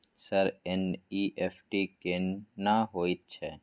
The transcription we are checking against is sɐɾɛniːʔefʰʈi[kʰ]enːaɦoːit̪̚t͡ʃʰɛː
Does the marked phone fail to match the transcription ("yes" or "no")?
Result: yes